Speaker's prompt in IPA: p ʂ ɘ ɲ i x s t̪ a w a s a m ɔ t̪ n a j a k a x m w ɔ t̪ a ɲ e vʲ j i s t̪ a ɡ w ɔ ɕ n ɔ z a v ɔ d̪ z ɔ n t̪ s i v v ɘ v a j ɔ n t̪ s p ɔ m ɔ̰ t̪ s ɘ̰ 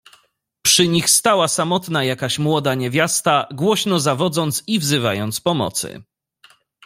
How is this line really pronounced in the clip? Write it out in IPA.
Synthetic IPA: p ʂ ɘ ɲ i x s t̪ a w a s a m ɔ t̪ n a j a k a ɕ m w ɔ d̪ a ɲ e vʲ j a s t̪ a ɡ w ɔ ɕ n ɔ z a v ɔ d̪ z ɔ n t̪ s i v z ɘ v a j ɔ n t̪ s p ɔ m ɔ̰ t̪ s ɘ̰